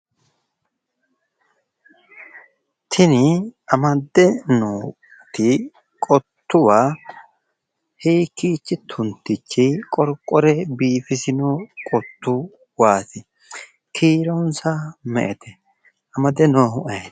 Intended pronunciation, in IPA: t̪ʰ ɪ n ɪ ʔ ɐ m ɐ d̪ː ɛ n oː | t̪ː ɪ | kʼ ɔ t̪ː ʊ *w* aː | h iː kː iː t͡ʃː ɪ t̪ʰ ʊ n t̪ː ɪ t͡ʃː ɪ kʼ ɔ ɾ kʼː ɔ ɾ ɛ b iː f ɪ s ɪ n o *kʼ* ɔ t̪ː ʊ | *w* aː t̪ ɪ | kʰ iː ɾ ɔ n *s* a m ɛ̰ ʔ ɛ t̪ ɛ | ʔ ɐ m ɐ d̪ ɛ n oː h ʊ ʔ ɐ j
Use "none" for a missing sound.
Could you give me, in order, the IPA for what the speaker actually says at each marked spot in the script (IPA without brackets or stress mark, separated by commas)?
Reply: w, kʼ, w, s